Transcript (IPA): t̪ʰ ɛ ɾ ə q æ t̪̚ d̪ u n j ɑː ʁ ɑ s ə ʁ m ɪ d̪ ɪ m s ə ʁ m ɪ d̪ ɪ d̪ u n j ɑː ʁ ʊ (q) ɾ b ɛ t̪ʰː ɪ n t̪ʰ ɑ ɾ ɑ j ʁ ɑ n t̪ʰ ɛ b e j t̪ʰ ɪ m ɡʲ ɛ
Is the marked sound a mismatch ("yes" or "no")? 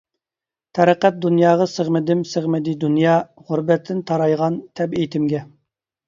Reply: yes